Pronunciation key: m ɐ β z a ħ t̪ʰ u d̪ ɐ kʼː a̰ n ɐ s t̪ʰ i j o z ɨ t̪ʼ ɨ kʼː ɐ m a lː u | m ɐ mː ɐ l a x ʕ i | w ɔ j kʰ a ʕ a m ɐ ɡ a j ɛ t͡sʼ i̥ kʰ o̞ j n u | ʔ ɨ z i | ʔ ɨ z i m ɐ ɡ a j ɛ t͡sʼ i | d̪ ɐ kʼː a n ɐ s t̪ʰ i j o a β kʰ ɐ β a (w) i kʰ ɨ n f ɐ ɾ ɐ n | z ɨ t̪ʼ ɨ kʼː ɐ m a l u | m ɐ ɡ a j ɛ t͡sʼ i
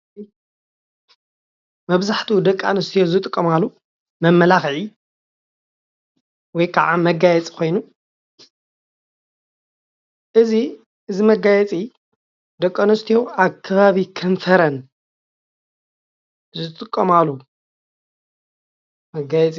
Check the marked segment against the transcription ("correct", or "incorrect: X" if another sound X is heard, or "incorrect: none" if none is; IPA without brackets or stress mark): incorrect: β